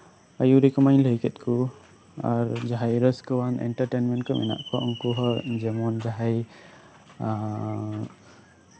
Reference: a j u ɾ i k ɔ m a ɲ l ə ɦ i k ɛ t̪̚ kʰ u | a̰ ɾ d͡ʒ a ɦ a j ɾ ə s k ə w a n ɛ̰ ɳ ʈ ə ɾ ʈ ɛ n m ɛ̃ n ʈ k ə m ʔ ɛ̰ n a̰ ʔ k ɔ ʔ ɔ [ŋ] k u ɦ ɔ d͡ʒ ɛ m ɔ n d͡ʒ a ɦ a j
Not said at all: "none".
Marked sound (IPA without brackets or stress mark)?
ŋ